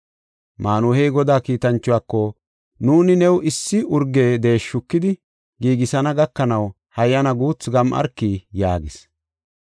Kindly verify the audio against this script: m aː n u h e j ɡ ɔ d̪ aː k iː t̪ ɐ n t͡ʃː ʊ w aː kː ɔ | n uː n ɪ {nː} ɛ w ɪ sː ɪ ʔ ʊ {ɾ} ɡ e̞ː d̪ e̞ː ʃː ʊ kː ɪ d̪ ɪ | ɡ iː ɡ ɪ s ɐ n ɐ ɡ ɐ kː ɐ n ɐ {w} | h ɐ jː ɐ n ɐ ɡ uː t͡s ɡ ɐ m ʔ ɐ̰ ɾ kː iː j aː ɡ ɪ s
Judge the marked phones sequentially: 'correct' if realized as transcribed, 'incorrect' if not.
incorrect: n, correct, correct

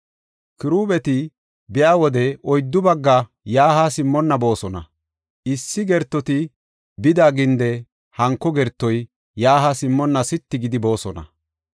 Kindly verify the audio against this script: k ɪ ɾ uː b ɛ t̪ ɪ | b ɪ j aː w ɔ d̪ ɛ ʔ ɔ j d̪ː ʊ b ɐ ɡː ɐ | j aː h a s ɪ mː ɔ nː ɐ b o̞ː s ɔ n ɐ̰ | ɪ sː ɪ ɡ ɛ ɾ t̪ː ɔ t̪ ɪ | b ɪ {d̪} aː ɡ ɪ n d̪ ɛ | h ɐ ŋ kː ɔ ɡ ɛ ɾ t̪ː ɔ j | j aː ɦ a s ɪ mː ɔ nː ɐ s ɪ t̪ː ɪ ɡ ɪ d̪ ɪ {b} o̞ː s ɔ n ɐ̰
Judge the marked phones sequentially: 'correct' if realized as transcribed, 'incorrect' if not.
correct, correct

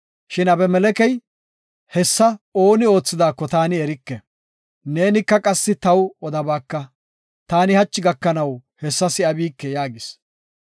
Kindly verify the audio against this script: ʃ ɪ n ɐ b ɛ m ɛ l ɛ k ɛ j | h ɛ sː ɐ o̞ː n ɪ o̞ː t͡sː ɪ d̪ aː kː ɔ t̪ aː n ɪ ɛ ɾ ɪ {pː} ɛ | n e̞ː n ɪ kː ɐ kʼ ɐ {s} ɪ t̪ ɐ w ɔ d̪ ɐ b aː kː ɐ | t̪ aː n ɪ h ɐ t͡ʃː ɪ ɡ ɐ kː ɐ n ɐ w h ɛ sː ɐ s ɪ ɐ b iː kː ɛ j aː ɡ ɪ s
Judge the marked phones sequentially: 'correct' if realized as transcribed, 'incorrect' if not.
incorrect: kː, incorrect: sː

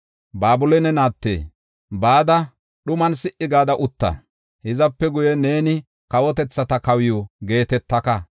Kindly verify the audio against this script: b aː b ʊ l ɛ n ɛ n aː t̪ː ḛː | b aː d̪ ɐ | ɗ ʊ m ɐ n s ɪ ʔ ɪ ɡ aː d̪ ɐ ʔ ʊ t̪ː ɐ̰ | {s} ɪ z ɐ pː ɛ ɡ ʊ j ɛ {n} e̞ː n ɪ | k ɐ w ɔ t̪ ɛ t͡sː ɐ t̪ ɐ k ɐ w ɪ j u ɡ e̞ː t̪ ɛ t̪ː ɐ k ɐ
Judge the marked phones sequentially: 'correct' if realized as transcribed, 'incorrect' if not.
incorrect: h, correct

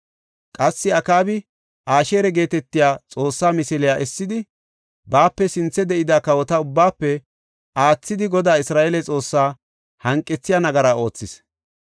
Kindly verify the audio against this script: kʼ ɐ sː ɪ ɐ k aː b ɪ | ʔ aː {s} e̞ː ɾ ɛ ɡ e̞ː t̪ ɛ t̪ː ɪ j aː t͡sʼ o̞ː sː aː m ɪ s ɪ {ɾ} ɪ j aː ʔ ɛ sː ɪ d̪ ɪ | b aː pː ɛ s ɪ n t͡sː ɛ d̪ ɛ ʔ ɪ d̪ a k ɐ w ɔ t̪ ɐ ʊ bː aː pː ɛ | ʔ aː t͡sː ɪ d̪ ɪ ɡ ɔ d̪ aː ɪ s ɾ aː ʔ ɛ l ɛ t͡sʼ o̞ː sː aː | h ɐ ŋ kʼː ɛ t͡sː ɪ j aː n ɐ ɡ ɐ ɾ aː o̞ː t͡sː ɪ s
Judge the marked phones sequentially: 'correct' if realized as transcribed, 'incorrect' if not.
incorrect: ʃ, incorrect: l

